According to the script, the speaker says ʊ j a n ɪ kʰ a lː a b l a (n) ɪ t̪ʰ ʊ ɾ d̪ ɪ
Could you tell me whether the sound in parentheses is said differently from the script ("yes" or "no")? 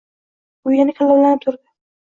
no